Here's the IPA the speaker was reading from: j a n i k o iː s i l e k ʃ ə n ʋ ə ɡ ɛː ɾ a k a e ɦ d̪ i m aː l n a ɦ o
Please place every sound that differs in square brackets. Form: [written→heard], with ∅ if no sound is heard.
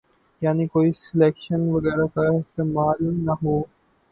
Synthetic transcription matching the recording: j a n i k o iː s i l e k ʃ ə n ʋ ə ɡ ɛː ɾ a k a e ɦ [d̪→t̪] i m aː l n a ɦ o